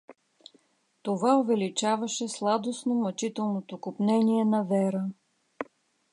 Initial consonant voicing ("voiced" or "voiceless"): voiceless